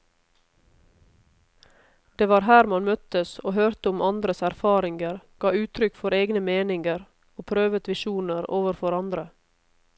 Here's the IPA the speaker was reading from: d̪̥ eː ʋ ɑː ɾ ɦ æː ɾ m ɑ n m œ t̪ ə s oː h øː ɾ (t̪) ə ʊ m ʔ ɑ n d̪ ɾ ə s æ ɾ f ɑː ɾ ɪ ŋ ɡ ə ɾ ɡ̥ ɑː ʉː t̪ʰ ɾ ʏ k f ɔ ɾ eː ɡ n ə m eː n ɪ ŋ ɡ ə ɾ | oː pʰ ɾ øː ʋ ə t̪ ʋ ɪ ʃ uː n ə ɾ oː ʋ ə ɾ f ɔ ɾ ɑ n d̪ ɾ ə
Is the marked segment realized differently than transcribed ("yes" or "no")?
no